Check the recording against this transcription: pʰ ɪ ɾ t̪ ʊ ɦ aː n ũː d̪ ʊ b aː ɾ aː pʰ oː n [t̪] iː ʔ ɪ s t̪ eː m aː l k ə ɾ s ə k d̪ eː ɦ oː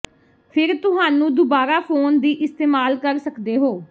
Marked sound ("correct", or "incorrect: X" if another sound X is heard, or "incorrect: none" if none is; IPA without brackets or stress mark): incorrect: d̪